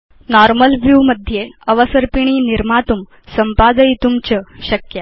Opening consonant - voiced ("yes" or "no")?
yes